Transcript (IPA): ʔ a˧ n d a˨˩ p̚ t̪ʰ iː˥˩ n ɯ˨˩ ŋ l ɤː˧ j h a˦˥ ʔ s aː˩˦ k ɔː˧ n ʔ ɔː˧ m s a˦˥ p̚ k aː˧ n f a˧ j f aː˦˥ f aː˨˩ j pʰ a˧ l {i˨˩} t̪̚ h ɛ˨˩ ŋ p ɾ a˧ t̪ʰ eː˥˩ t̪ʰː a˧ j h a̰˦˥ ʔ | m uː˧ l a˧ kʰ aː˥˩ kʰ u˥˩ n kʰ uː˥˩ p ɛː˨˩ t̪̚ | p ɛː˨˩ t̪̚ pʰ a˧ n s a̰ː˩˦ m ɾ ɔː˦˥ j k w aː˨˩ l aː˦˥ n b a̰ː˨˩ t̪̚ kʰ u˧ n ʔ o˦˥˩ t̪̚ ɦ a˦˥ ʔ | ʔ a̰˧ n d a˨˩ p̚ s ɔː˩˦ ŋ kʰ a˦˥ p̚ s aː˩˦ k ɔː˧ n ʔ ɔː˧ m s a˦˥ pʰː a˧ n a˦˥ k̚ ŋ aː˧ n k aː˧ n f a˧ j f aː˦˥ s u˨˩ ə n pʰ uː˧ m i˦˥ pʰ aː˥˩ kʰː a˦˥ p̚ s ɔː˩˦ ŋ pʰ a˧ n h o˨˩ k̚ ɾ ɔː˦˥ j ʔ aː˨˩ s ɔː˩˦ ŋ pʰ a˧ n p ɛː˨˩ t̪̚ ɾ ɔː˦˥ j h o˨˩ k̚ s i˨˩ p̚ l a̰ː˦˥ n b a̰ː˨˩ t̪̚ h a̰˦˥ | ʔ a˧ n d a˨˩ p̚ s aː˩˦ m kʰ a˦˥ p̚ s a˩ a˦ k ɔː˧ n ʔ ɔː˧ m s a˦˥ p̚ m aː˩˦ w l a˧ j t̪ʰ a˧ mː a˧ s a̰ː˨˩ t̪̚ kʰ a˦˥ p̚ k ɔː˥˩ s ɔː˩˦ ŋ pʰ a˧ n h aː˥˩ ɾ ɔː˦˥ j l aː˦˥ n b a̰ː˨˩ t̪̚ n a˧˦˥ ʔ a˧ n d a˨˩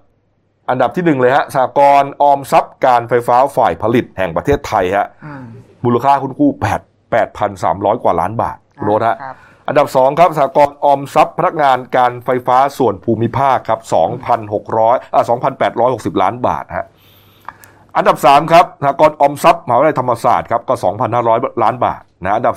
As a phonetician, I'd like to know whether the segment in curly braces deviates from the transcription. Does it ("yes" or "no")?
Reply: no